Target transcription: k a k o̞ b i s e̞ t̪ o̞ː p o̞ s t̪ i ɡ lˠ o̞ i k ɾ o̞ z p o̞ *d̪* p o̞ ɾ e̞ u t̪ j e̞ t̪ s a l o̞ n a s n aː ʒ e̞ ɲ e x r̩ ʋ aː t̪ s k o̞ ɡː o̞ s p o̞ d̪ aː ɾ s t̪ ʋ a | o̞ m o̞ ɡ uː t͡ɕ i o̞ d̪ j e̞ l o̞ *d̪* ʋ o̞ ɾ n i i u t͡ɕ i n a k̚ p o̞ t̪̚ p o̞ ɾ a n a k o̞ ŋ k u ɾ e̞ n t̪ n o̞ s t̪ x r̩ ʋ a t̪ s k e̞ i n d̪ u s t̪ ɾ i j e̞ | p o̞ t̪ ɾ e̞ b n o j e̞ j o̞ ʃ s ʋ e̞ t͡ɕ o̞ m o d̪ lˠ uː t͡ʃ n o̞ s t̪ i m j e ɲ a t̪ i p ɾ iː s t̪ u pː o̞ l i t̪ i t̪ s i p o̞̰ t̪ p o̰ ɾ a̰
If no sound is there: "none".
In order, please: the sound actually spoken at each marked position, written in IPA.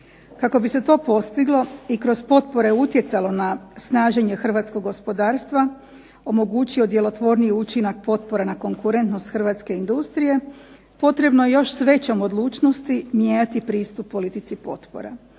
t̪, t̪

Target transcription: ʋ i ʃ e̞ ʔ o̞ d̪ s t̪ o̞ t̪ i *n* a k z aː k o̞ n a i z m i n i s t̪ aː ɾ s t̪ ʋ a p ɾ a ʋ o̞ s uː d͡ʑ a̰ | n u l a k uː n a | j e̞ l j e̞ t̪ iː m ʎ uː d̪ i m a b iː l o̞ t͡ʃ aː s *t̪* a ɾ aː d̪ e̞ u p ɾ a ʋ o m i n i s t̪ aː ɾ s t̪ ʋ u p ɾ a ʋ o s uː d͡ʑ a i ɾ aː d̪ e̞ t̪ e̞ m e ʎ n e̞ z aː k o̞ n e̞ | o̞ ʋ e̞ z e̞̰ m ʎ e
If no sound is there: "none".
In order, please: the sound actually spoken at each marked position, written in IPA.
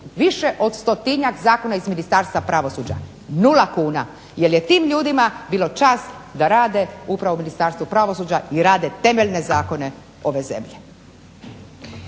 ɲ, d̪

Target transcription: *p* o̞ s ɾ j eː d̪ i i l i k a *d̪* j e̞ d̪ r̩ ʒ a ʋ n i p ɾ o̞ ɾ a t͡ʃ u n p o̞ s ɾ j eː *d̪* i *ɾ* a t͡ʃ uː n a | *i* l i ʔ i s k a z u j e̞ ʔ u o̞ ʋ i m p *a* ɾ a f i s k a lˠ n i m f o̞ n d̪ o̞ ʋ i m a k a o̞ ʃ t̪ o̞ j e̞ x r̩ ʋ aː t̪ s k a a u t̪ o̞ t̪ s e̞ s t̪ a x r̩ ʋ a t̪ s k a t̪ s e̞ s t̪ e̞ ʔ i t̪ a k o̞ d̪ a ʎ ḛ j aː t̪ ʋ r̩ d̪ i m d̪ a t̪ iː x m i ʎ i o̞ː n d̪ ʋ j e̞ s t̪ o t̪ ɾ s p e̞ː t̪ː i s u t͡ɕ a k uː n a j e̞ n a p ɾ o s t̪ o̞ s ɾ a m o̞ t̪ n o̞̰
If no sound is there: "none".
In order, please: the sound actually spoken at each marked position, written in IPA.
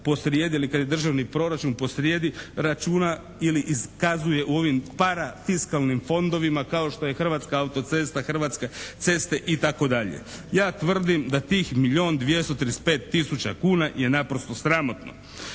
p, d̪, d̪, ɾ, i, a

